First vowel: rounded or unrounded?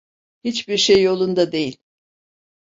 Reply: unrounded